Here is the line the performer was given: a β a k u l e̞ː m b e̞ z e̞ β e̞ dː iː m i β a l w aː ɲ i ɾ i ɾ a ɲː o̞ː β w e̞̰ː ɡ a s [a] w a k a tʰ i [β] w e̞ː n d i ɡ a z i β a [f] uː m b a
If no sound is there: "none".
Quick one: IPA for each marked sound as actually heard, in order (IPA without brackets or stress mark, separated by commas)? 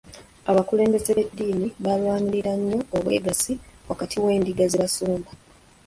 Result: i, none, s